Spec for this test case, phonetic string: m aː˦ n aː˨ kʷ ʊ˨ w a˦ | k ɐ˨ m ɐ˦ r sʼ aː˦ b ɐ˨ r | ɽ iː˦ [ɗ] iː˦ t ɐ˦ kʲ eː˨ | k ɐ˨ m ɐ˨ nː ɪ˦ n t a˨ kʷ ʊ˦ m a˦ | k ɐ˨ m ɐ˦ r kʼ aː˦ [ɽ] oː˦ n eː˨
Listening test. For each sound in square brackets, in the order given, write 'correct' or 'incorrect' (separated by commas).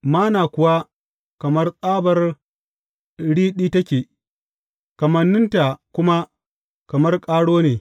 correct, correct